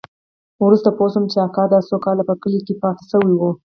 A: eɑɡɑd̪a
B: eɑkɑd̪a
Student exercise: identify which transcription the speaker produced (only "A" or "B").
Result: B